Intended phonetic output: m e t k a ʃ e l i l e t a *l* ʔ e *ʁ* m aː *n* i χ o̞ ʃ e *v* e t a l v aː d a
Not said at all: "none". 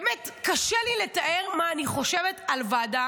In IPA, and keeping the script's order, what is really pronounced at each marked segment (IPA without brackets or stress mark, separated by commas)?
none, ʁ, n, v